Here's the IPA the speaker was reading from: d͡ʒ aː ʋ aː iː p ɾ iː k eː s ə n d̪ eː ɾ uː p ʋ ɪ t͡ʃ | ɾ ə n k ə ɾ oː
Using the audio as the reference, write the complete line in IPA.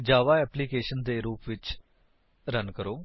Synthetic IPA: d͡ʒ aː ʋ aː ɛː p l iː k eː ʃ ə n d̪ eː ɾ uː p ʋ ɪ t͡ʃ | ɾ ə n k ə ɾ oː